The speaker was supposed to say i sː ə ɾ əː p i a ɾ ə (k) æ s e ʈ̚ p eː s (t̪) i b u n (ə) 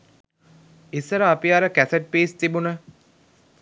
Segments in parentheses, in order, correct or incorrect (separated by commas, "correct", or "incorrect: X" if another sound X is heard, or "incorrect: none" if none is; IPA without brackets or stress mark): correct, correct, correct